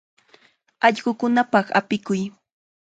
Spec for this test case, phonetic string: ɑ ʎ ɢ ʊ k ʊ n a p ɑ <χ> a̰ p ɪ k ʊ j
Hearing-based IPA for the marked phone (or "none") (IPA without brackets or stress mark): χ